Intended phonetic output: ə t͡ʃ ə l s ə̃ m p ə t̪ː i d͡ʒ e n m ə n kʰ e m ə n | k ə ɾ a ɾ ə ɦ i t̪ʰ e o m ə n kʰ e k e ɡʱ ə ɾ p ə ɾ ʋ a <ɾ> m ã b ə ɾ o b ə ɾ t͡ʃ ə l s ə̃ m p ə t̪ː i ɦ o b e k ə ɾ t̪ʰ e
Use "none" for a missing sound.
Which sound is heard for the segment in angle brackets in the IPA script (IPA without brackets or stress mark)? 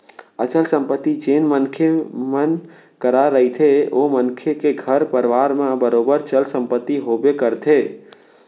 ɾ